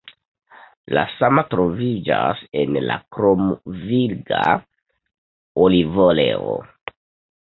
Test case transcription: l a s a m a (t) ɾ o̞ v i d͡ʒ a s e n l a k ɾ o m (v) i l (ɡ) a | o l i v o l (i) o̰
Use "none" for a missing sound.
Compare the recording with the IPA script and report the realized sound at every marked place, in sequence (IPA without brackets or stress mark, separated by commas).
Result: t, v, ɡ, e